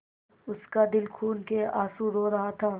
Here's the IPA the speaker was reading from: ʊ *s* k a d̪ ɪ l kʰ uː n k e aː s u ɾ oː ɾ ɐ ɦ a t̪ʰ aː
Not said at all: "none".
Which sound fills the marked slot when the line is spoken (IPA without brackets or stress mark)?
s